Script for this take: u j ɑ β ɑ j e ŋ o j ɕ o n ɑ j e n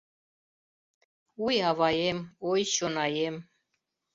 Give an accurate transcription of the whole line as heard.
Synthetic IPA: u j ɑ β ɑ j e m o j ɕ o n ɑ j e m

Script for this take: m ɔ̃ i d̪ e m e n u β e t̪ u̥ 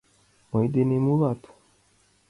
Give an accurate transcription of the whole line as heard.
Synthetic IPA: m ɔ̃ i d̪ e n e m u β a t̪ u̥

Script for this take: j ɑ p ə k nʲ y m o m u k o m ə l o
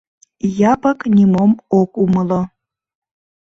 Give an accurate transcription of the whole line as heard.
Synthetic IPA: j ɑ p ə k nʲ i m o m o k u m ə l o

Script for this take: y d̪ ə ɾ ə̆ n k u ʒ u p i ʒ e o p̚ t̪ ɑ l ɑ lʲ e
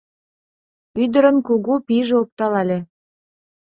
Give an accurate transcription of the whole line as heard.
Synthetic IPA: y d̪ ə ɾ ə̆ n k u ɣ u p i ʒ e o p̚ t̪ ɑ l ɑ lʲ e

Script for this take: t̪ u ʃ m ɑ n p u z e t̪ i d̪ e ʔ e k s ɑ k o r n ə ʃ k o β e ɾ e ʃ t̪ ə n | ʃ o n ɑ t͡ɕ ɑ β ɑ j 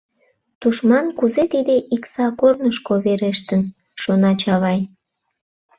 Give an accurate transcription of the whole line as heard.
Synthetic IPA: t̪ u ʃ m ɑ n k u z e t̪ i d̪ e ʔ i k s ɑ k o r n ə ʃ k o β e ɾ e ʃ t̪ ə n | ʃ o n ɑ t͡ɕ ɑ β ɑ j

